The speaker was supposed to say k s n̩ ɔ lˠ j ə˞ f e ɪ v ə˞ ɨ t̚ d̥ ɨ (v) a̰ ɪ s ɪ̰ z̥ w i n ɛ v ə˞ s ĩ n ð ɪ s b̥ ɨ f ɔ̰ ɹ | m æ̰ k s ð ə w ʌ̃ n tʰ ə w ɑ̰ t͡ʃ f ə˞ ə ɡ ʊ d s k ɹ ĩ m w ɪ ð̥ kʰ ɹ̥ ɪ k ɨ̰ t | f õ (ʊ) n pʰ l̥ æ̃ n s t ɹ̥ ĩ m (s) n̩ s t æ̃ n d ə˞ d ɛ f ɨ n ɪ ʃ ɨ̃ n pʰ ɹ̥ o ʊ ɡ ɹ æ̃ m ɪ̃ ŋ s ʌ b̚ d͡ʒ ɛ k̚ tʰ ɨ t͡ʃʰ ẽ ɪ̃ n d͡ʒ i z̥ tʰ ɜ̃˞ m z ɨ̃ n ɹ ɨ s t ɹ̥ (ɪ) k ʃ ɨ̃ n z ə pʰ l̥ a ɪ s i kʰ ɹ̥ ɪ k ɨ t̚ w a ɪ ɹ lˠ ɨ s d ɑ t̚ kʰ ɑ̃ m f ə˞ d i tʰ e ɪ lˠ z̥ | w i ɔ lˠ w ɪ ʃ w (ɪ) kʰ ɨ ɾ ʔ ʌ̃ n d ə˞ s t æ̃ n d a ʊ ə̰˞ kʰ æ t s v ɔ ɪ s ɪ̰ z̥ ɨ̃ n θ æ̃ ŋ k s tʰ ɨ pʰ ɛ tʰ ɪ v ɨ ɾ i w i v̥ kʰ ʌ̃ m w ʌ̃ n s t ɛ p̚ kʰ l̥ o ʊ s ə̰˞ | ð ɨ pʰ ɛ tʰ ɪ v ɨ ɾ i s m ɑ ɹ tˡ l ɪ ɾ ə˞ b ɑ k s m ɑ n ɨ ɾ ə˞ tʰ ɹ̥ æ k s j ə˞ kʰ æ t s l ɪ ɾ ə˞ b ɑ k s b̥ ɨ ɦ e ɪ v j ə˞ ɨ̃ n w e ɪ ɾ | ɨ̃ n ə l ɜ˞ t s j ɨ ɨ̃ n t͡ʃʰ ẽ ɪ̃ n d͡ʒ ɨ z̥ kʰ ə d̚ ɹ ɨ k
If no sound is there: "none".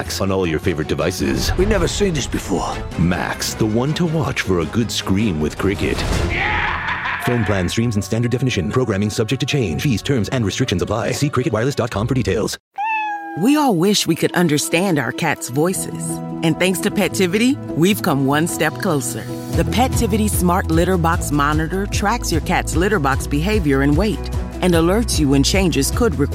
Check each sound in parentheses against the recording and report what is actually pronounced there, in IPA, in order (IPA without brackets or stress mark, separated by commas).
v, ʊ̃, z, ɪ, i